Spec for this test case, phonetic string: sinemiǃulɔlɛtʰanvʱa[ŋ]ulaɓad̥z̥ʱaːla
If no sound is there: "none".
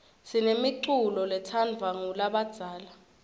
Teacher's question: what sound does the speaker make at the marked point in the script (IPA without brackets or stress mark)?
ŋ